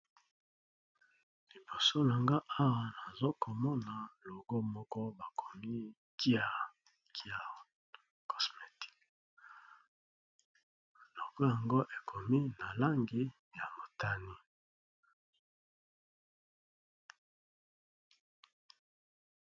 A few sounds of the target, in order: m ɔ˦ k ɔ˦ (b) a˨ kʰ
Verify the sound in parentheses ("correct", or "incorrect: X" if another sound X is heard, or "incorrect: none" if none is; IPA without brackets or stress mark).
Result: correct